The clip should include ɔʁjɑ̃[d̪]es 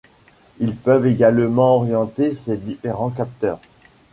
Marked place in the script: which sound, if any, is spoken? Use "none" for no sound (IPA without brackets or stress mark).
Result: t̪